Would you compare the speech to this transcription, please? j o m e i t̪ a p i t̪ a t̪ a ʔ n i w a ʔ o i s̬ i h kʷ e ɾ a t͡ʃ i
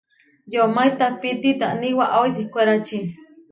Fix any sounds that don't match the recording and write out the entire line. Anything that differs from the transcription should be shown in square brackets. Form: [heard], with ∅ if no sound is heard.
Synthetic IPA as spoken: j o m [a] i t̪ a p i t̪ [i] t̪ a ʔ n i w a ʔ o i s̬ i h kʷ e ɾ a t͡ʃ i